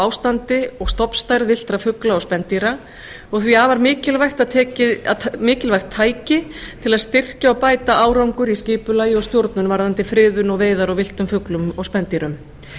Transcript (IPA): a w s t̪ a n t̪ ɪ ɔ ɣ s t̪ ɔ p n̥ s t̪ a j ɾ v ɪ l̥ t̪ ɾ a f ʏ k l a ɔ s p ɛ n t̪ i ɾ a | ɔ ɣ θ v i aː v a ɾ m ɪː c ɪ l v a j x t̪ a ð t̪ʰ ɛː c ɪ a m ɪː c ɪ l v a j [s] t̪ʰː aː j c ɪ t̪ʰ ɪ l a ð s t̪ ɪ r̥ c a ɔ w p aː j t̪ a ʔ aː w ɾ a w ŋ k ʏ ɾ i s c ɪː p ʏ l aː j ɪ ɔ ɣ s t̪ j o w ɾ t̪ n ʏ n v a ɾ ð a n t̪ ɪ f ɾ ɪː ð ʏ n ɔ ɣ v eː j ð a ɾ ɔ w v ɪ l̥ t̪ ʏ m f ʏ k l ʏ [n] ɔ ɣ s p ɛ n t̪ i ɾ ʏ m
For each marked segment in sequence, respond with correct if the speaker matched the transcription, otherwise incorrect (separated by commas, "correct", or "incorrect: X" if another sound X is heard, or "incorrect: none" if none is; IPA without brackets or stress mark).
incorrect: x, incorrect: m